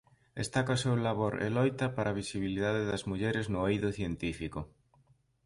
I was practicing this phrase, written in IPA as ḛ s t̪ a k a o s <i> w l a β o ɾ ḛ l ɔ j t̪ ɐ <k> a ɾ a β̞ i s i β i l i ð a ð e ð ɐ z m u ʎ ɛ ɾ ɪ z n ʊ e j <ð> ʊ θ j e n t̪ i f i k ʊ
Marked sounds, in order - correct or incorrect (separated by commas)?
incorrect, incorrect, correct